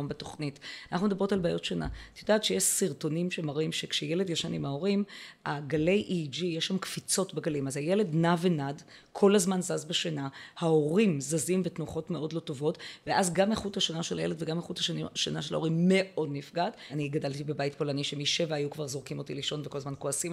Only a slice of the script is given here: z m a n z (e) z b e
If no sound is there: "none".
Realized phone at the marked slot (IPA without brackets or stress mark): a